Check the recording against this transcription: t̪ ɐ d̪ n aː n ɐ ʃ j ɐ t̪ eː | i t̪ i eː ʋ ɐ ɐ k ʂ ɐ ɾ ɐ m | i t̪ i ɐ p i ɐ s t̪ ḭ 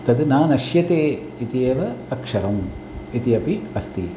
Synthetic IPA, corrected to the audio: t̪ ɐ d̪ n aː n ɐ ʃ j ɐ t̪ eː | i t̪ i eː ʋ ɐ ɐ k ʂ ɐ ɾ ɐ m | i t̪ i ɐ p i ɐ s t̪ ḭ